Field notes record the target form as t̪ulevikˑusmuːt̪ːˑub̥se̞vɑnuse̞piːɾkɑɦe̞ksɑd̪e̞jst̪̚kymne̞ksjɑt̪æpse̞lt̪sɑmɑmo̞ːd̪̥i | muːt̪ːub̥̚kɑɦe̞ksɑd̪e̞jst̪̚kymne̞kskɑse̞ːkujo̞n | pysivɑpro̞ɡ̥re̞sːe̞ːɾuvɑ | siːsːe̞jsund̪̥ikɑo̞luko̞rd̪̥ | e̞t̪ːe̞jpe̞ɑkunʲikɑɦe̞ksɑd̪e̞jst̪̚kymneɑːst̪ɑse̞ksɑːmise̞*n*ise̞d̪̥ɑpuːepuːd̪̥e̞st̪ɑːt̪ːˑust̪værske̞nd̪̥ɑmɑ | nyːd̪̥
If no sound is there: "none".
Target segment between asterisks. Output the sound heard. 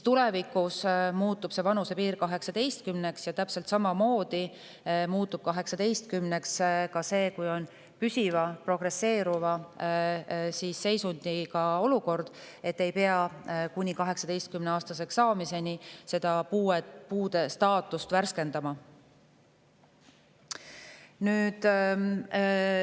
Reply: n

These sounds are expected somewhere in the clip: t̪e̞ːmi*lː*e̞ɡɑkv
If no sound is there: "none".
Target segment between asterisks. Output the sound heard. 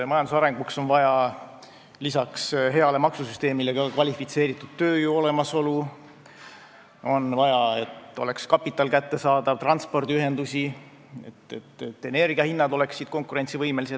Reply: l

